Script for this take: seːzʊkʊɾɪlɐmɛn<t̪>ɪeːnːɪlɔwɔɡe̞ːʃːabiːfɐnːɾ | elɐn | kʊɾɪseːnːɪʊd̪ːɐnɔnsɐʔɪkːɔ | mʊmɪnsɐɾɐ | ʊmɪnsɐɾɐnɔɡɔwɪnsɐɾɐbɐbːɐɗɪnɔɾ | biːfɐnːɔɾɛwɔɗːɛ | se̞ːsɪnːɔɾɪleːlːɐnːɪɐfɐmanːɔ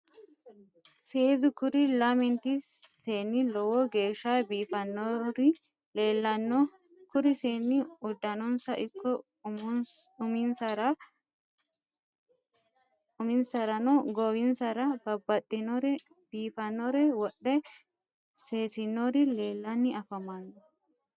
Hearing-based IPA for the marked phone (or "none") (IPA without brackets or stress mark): t̪